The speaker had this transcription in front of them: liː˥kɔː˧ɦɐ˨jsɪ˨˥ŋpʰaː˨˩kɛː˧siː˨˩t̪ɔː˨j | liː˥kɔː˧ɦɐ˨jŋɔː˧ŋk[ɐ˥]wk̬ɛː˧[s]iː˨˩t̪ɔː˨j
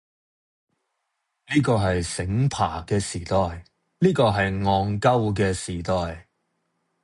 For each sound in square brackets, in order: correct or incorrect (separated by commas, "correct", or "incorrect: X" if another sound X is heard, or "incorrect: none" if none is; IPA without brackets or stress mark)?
correct, correct